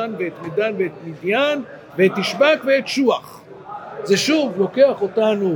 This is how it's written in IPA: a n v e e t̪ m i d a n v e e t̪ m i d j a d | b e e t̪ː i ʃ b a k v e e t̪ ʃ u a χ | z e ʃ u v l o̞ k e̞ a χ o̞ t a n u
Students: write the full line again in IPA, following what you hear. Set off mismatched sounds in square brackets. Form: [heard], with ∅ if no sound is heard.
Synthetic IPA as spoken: a n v e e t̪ m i d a n v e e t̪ m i d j a [n] | [v] e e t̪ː i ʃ b a k v e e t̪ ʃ u a χ | z e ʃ u v l o̞ k e̞ a χ o̞ t a n u